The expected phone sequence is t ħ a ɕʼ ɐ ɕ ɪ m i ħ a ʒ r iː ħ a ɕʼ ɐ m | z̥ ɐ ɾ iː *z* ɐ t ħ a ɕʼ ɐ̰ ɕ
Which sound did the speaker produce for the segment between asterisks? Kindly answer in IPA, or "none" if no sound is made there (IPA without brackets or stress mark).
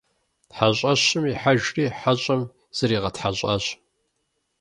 ʁ